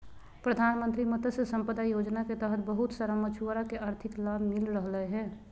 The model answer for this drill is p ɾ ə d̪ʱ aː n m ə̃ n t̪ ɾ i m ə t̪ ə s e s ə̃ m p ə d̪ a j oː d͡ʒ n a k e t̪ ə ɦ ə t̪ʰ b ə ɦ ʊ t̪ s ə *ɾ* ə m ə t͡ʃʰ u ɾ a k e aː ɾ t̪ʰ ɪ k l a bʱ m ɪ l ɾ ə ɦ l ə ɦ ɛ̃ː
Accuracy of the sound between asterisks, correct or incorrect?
correct